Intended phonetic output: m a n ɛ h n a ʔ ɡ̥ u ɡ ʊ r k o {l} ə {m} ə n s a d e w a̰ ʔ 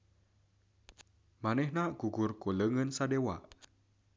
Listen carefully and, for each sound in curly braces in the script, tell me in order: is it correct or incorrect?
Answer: correct, incorrect

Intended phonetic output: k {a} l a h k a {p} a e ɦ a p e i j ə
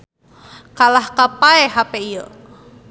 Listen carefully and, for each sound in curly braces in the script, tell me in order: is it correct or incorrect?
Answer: correct, correct

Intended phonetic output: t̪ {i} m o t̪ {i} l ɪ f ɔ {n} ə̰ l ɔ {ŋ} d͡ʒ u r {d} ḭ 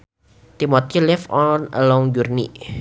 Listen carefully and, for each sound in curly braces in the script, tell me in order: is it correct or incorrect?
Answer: correct, correct, correct, correct, incorrect

